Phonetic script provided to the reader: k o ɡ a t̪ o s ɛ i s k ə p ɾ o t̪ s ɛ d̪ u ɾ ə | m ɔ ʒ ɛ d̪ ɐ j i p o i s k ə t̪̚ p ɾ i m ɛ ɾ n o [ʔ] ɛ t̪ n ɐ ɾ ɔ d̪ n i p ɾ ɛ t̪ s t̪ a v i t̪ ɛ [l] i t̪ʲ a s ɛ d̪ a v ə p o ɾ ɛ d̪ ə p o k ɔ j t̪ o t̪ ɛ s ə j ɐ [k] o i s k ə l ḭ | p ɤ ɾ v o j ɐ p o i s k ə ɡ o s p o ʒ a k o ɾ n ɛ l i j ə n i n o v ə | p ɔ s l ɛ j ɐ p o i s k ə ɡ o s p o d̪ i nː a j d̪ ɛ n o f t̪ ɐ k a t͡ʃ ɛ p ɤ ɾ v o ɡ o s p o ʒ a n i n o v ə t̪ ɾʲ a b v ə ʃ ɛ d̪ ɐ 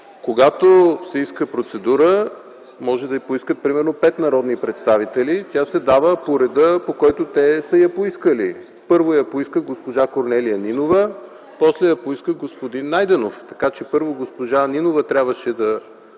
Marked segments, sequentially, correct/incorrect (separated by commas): incorrect, correct, incorrect